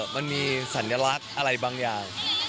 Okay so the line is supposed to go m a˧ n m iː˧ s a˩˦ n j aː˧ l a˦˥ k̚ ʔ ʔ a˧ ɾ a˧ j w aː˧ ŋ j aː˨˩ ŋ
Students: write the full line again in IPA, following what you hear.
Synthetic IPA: m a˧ n m iː˧ s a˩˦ n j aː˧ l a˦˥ k̚ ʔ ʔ a˧ ɾ a˧ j b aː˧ ŋ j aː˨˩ ŋ